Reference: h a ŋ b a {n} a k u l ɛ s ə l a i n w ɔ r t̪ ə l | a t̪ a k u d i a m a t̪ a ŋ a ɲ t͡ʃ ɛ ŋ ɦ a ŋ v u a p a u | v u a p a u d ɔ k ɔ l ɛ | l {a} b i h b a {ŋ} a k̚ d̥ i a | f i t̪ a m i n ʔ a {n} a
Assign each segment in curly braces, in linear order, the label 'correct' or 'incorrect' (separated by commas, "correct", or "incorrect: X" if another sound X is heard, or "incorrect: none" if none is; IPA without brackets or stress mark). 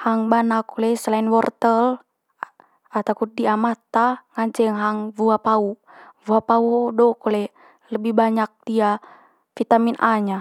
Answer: correct, incorrect: ə, incorrect: ɲ, incorrect: ɲ